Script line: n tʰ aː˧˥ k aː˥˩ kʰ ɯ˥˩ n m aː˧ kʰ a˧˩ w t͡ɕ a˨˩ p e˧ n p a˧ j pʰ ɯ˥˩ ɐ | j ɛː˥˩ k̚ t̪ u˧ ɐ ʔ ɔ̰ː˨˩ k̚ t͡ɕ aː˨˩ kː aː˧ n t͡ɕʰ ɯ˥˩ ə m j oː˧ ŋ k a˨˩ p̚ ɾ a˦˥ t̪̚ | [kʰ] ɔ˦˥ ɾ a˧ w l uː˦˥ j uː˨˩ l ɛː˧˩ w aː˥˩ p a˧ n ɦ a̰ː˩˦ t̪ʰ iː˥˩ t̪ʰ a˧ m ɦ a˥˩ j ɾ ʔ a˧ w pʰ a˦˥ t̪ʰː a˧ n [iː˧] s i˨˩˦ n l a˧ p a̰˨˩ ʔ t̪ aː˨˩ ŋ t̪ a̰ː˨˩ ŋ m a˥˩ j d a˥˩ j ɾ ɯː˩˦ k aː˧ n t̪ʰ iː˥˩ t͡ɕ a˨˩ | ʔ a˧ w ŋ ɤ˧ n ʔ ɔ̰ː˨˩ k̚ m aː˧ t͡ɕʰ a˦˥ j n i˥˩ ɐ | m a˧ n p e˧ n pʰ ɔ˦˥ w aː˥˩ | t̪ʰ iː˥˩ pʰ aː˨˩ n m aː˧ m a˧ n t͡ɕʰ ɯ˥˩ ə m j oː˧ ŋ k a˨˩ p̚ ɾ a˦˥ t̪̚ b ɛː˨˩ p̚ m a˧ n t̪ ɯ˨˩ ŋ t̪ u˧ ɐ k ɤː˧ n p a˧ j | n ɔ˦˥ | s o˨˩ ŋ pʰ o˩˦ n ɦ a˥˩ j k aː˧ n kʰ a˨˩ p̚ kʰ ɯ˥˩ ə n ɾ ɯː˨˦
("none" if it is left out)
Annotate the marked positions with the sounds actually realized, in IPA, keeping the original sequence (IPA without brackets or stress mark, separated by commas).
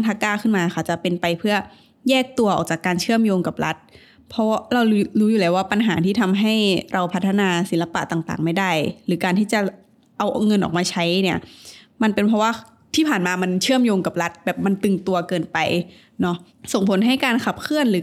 pʰ, aː˧